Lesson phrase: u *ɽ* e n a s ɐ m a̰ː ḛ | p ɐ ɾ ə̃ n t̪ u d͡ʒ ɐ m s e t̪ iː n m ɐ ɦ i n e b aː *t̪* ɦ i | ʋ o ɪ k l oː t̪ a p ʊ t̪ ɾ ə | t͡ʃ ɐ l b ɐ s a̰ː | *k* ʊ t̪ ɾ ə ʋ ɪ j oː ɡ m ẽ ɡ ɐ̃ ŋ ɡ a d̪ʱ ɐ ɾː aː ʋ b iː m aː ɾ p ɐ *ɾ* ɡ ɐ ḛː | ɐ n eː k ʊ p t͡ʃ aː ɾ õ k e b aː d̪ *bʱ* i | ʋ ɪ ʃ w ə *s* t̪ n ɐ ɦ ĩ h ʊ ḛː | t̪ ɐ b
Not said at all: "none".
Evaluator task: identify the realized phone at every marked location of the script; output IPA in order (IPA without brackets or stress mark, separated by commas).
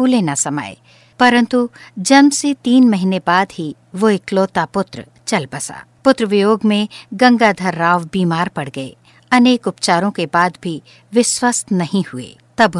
l, d̪, p, ɽ, bʱ, s